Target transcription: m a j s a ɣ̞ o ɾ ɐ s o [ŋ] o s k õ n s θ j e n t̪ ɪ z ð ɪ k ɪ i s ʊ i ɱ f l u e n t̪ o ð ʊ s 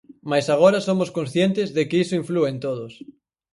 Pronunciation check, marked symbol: incorrect: m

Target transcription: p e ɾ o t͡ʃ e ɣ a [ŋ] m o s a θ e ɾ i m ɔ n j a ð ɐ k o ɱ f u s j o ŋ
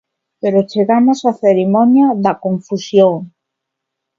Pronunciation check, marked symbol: incorrect: none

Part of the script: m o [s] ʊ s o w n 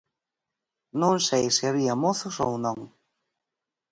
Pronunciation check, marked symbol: incorrect: θ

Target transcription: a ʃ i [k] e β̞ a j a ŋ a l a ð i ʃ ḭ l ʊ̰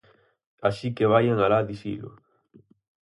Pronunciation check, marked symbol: correct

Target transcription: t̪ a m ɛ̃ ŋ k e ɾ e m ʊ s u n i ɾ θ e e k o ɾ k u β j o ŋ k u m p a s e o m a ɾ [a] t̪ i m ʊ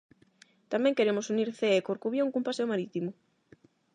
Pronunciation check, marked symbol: incorrect: i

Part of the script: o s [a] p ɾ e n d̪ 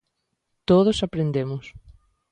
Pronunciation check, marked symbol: correct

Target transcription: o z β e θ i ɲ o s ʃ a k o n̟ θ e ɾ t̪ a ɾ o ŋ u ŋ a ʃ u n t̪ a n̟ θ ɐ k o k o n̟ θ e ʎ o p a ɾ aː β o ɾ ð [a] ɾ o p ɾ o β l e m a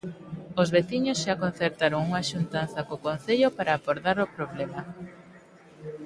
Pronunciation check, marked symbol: correct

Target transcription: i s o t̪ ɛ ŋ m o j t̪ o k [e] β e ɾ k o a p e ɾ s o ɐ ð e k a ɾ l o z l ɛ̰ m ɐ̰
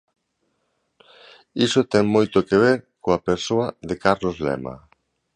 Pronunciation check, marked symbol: correct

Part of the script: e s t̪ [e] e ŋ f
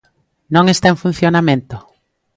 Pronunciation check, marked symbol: incorrect: a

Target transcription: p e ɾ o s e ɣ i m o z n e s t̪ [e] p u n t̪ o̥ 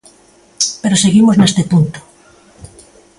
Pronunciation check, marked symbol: correct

